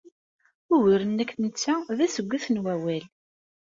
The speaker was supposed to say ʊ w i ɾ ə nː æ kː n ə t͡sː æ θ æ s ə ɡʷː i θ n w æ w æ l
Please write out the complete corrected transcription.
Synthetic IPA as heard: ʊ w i ɾ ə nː æ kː n ə t͡sː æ ð æ s ə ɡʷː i θ n w æ w æ l